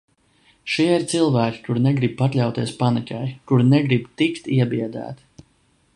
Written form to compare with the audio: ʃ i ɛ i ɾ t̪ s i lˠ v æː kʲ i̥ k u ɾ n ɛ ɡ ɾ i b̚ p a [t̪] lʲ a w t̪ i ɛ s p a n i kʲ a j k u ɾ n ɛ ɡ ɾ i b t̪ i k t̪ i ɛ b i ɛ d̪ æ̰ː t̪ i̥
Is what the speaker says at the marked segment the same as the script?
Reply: yes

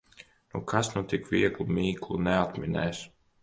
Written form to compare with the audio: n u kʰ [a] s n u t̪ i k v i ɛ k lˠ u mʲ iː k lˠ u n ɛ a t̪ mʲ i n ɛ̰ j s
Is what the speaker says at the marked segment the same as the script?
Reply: yes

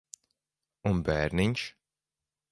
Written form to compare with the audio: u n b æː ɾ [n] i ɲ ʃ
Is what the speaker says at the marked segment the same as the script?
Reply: yes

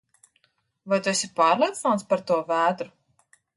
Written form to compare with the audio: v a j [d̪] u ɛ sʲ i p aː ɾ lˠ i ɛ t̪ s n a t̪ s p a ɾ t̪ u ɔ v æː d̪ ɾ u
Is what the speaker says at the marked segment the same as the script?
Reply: no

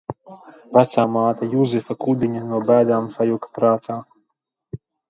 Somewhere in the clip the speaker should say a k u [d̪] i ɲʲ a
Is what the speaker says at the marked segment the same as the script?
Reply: yes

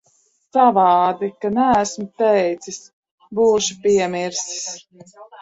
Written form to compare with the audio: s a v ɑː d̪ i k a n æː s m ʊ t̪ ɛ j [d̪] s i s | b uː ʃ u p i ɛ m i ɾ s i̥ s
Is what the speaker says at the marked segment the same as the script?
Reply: no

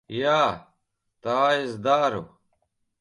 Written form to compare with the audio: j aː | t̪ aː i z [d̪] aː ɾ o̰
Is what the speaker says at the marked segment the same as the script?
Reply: yes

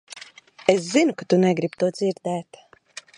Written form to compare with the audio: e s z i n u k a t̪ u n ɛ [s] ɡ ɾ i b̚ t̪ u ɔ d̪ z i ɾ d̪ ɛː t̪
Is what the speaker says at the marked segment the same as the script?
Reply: no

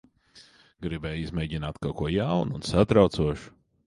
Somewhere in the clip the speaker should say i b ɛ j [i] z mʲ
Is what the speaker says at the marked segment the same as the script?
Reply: yes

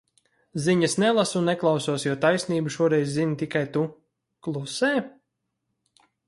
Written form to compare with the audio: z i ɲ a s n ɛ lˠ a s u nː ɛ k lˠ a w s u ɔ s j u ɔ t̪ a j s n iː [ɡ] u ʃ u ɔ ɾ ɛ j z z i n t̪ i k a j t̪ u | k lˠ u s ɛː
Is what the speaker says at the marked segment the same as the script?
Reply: no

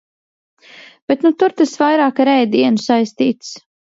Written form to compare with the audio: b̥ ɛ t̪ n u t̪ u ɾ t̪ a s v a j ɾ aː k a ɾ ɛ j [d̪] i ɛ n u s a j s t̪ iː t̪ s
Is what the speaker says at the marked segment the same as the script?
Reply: yes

